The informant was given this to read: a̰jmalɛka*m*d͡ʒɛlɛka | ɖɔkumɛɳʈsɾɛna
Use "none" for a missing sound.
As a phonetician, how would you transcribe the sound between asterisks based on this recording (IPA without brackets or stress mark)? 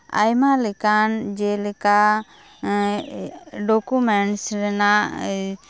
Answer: n